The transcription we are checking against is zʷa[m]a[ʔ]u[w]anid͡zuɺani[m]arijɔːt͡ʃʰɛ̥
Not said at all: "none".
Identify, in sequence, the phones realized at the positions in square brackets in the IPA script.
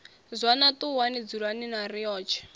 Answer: n, t, w, n

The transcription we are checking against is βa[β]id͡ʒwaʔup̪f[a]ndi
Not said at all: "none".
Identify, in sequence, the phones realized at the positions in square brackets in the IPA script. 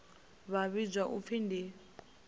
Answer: β, i

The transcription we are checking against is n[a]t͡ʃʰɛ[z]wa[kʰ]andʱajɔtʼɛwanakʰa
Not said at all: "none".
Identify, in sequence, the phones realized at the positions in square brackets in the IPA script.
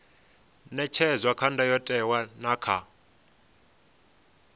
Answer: ɛ, z, kʰ

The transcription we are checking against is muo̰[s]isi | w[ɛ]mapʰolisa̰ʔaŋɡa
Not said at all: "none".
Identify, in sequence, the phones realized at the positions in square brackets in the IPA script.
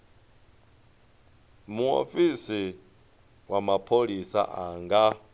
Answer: f, a

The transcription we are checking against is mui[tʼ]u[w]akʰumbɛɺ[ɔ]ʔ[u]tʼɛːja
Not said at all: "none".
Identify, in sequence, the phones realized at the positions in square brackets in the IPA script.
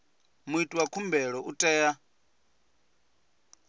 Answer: tʼ, w, ɔ, u

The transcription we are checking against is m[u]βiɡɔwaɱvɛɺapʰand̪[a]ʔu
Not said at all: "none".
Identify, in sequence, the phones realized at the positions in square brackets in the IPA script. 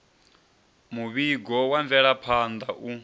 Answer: u, a

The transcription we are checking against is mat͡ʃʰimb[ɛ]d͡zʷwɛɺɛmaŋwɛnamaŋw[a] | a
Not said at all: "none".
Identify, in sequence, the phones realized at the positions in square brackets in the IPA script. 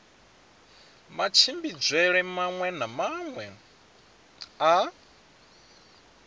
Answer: i, ɛ

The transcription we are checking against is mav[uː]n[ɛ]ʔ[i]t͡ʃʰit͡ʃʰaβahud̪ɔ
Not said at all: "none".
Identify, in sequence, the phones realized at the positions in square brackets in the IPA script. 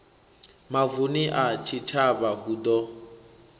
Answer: u, i, a

